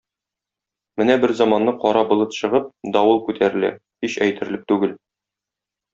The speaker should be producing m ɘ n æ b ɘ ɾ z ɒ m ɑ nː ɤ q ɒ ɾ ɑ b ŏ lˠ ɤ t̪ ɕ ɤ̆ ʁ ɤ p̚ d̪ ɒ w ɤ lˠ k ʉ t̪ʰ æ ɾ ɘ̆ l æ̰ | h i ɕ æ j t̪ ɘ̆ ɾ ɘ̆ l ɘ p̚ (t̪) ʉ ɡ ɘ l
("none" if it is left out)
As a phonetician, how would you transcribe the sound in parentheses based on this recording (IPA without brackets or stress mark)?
t̪